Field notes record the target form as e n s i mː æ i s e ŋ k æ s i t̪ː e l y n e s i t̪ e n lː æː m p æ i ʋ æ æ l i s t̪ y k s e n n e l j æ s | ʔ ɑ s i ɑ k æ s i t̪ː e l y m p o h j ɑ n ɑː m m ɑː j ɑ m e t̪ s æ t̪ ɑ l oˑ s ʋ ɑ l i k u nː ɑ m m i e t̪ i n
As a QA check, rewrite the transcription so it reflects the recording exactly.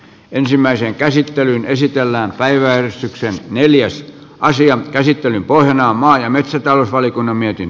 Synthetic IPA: e n s i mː æ i s e ŋ k æ s i t̪ː e l y n e s i t̪ e lː æː m p æ i ʋ æ æ r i s t̪ y k s e n n e l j æ s | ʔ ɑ s i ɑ k æ s i t̪ː e l y m p o h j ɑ n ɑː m m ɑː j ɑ m e t̪ s æ t̪ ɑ l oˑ s ʋ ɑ l i k u nː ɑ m m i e t̪ i n